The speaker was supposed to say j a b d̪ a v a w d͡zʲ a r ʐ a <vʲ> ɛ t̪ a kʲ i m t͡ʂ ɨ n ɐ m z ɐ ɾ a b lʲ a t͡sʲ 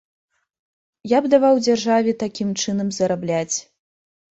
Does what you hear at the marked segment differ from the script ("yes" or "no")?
no